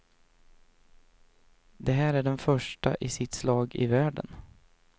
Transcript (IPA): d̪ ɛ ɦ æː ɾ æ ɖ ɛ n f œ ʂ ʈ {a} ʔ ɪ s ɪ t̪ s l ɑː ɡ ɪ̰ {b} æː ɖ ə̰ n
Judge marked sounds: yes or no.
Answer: yes, no

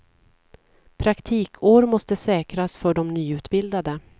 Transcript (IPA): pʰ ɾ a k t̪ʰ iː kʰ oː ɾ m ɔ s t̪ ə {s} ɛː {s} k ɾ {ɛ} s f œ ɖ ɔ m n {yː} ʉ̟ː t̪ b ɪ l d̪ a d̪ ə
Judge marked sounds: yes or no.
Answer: yes, no, no, yes

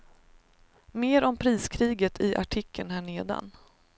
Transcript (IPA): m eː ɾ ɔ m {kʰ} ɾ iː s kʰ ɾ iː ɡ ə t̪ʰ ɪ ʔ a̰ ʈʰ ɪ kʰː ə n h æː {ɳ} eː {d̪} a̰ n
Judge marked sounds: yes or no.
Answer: no, yes, yes

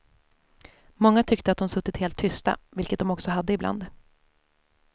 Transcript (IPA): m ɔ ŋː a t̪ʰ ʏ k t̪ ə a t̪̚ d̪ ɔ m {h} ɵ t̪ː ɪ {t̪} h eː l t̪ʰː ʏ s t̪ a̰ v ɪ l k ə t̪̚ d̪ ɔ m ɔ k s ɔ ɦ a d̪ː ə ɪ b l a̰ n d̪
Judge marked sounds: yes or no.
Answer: no, yes

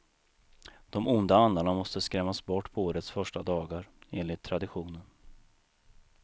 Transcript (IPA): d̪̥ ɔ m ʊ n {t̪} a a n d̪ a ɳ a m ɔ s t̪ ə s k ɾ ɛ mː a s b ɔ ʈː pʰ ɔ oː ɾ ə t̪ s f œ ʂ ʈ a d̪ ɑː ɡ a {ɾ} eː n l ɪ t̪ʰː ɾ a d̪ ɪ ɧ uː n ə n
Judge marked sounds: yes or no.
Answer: no, yes

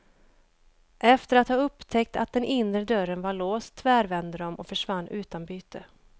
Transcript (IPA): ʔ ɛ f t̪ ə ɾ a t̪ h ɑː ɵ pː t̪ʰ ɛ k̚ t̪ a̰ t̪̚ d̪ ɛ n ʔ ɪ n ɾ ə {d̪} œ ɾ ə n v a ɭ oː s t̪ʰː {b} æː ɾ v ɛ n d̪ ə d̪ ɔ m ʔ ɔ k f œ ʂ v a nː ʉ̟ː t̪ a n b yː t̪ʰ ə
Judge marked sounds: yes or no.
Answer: yes, no

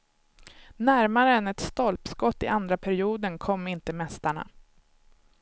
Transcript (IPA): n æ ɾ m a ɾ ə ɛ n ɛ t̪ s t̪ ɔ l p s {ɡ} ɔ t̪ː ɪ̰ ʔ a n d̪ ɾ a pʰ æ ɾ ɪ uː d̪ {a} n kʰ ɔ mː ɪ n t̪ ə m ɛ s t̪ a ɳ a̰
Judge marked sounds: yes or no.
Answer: no, no

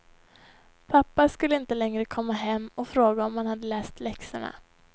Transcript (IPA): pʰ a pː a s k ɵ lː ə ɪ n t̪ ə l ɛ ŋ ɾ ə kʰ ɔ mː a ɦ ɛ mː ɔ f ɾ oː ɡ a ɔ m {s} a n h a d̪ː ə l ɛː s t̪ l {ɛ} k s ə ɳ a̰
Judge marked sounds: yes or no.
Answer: no, yes

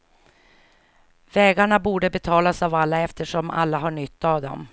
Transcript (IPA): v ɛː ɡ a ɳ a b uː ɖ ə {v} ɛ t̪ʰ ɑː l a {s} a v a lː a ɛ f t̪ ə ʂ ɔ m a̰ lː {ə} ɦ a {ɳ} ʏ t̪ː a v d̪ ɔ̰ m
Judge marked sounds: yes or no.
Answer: no, yes, no, yes

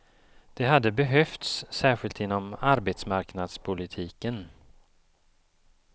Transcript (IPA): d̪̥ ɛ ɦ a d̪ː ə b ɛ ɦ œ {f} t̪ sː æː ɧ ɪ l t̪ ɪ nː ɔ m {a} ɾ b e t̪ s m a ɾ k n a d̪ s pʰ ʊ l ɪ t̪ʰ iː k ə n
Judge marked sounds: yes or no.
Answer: yes, yes

